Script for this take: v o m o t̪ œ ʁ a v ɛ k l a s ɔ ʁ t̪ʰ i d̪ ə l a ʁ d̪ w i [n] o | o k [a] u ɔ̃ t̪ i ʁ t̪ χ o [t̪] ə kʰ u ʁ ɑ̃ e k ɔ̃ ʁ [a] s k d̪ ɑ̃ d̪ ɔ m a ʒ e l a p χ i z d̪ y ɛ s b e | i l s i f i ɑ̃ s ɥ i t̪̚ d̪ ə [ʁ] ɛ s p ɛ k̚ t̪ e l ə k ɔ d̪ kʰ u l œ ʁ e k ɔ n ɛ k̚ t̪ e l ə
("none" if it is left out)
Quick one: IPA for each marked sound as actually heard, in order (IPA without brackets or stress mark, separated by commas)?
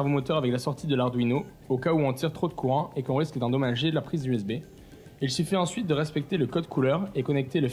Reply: n, a, d̪, i, ʁ